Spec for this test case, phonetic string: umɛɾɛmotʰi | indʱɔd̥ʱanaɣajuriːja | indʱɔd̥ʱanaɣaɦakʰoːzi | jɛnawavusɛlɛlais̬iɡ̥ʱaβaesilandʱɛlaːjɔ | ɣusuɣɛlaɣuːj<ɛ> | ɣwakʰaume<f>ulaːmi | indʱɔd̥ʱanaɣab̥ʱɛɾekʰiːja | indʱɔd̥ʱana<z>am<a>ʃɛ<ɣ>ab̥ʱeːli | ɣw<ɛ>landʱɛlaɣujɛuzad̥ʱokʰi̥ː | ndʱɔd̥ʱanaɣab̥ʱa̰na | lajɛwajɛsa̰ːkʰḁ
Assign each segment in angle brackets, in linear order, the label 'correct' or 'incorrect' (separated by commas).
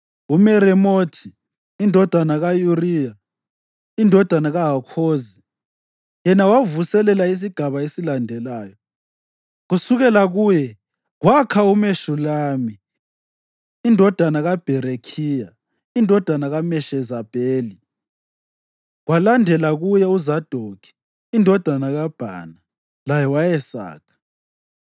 correct, incorrect, incorrect, incorrect, incorrect, incorrect